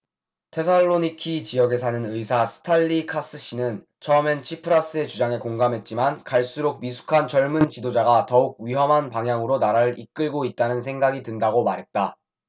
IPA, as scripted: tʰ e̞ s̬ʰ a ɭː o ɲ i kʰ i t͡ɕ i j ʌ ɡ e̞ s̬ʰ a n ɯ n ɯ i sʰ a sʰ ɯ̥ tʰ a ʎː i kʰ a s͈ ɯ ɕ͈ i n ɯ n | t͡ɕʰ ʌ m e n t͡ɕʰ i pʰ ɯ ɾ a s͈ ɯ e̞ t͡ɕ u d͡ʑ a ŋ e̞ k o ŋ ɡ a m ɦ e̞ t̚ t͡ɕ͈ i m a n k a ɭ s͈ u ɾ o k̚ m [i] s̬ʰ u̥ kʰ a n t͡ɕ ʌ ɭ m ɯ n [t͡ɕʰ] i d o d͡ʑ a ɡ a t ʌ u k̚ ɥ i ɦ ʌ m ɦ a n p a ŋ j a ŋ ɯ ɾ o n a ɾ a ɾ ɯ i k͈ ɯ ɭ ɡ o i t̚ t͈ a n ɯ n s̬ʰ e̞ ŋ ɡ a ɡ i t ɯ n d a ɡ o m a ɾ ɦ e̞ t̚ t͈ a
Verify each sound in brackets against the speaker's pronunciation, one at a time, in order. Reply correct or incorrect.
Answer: correct, incorrect: t͡ɕ

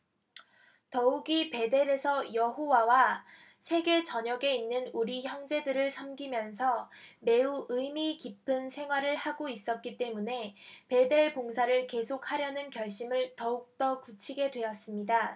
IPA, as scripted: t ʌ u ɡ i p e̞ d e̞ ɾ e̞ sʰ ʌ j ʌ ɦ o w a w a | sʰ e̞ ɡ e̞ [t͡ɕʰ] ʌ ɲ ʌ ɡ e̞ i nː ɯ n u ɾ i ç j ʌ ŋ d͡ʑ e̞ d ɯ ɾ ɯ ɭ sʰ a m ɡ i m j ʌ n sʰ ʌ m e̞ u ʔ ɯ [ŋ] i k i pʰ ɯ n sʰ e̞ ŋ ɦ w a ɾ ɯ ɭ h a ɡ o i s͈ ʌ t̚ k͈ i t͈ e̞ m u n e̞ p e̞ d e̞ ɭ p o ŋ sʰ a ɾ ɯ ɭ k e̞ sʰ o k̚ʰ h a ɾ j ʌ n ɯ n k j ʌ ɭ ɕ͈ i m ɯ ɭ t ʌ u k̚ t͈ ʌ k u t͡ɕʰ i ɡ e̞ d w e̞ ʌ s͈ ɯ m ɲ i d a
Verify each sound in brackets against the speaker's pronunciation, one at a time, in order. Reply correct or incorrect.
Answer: incorrect: t͡ɕ, incorrect: m

